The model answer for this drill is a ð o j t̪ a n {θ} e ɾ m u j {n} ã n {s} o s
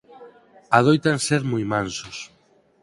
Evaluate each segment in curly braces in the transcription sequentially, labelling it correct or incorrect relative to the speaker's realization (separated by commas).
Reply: incorrect, incorrect, correct